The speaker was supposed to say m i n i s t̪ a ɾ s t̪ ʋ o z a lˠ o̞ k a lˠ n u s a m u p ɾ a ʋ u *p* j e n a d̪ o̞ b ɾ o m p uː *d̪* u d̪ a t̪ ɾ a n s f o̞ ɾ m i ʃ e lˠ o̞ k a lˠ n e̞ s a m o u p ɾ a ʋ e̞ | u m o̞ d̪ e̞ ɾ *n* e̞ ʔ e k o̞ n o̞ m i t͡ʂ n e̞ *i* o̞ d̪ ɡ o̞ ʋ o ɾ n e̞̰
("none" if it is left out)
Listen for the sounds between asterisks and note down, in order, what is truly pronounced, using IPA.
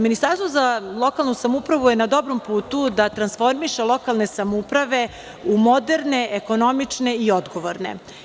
none, t̪, n, i

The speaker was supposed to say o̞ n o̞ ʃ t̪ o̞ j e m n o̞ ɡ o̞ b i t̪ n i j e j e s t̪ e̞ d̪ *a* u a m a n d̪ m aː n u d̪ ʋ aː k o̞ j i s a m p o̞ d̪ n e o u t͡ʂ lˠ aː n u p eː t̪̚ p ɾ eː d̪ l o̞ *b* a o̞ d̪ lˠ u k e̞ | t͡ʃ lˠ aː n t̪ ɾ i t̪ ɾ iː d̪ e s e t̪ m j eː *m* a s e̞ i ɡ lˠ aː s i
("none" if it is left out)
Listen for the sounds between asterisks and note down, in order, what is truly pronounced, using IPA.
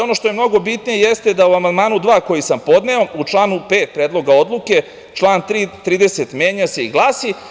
a, ɡ, ɲ

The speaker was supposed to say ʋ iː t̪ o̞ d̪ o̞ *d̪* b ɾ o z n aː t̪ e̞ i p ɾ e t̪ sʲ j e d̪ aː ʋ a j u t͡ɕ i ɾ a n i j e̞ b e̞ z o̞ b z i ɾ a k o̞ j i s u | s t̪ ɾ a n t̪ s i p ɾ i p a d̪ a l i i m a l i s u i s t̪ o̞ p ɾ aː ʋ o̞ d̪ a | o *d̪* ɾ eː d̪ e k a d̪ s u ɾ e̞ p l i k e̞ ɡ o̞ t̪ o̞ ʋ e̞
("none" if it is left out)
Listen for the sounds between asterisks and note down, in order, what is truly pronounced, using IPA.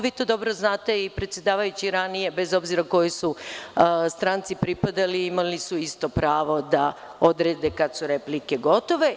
none, d̪

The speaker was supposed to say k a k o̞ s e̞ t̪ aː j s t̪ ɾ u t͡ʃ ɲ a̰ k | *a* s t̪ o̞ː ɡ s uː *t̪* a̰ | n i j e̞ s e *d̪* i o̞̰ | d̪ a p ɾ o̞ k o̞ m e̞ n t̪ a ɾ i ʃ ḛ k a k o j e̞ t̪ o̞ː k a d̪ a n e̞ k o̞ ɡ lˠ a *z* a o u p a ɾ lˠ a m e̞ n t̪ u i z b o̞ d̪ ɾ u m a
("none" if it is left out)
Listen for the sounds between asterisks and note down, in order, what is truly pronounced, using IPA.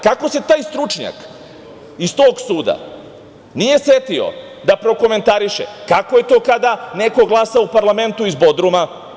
i, d̪, t̪, s

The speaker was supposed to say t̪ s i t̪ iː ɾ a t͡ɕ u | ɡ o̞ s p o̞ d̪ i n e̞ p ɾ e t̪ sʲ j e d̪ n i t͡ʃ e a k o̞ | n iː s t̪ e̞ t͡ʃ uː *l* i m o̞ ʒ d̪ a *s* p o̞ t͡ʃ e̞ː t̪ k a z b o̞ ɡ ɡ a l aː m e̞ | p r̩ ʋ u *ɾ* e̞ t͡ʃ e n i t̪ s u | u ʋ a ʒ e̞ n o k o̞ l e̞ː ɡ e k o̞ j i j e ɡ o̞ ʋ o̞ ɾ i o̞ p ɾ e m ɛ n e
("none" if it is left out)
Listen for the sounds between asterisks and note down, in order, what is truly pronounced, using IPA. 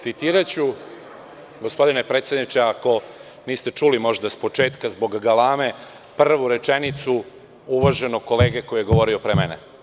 l, s, ɾ

